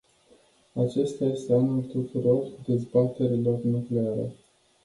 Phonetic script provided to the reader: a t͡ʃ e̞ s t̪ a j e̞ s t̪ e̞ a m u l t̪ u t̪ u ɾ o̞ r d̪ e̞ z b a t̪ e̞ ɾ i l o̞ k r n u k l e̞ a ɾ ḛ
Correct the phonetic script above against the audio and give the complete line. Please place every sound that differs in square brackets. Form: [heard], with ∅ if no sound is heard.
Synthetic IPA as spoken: a t͡ʃ e̞ s t̪ a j e̞ s t̪ e̞ a [n] u l t̪ u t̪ u ɾ o̞ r d̪ e̞ z b a t̪ e̞ ɾ i l o̞ [∅] r n u k l e̞ a ɾ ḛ